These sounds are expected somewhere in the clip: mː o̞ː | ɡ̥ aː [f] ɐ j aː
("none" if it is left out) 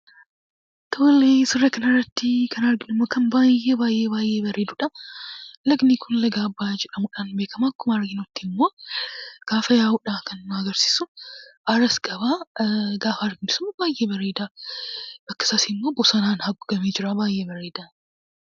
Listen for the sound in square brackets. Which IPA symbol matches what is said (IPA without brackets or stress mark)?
f